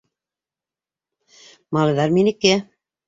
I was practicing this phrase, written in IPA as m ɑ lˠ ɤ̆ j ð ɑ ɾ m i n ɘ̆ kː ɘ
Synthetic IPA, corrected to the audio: m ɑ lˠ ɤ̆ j ð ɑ ɾ m i n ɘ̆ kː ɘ